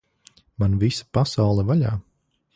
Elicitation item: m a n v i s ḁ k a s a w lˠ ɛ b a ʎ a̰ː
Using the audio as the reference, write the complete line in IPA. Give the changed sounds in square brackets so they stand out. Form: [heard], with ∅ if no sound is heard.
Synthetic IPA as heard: m a n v i s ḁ [p] a s a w lˠ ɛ [v] a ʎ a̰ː